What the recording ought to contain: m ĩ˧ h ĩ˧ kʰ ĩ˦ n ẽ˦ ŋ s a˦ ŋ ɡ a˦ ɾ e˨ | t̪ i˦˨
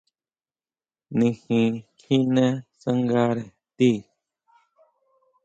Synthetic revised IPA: n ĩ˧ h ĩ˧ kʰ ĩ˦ n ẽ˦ s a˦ ŋ ɡ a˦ ɾ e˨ | t̪ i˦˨